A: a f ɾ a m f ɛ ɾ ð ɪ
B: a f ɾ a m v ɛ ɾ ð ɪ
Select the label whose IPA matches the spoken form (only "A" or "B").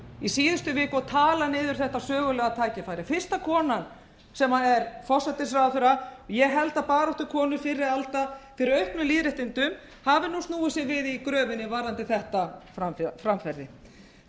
A